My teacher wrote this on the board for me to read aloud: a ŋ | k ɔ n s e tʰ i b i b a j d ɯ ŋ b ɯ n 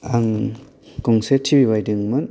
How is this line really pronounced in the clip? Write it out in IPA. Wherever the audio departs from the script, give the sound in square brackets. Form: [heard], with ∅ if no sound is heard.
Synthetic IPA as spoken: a ŋ | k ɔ [ŋ] s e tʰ i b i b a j d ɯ ŋ [m] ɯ n